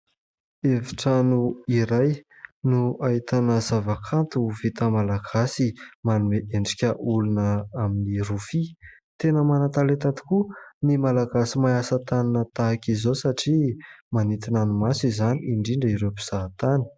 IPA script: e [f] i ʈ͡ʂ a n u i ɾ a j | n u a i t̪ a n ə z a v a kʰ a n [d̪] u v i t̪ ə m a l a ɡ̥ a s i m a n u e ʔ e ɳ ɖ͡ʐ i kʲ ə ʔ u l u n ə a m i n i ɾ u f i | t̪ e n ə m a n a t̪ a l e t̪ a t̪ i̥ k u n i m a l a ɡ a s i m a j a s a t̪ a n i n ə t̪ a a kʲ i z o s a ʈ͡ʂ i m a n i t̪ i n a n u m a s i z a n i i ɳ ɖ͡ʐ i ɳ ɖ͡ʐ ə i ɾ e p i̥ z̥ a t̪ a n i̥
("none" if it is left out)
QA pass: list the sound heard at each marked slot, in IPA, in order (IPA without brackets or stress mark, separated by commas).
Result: v, t̪